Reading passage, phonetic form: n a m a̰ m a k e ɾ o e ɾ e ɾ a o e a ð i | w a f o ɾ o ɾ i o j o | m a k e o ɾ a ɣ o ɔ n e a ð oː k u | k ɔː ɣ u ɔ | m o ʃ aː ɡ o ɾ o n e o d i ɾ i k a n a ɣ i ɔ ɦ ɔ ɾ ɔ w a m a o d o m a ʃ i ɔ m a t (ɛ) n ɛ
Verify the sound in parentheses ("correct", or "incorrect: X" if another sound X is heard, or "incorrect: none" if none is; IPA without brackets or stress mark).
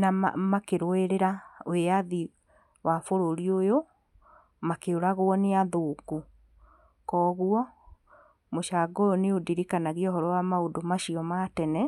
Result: correct